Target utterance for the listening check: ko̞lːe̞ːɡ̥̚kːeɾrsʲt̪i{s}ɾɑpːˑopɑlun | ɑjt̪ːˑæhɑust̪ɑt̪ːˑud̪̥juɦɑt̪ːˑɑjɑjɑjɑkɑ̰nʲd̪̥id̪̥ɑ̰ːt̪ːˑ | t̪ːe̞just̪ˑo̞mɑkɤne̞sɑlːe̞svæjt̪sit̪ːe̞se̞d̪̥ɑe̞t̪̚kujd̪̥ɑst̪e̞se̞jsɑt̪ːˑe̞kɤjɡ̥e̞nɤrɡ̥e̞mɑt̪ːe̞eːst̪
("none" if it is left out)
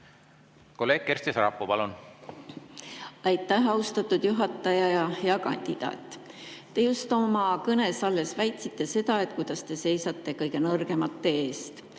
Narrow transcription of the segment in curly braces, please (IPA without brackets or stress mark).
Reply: s